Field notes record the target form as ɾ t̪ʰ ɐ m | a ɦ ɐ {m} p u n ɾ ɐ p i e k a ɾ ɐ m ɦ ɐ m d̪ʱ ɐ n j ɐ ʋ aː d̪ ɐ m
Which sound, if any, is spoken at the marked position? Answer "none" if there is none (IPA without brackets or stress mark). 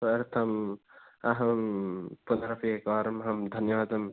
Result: m